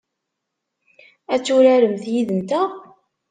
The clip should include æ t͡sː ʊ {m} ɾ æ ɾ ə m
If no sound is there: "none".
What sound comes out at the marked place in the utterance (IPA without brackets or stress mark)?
none